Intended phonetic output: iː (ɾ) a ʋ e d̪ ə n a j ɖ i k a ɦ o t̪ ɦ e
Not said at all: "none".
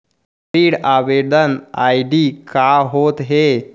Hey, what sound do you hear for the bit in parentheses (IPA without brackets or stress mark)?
ɽ